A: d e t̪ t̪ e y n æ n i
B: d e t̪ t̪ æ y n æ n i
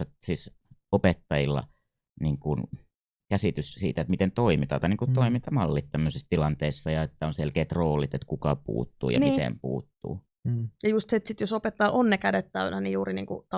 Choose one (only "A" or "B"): B